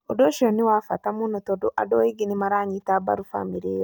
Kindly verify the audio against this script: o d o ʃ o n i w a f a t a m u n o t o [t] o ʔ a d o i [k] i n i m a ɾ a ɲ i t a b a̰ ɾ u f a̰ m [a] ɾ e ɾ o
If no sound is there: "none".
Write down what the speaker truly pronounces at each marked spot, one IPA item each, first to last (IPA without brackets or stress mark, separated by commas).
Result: d, ɡ, i